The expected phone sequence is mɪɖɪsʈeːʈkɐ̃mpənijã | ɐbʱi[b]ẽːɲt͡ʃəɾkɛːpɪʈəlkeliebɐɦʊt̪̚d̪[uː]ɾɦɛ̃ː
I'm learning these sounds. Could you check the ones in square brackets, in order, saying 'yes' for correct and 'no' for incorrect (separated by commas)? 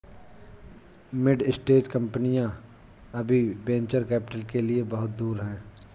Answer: yes, yes